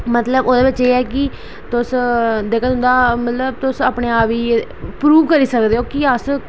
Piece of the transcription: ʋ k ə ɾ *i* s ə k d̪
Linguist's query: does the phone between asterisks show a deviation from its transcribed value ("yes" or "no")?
yes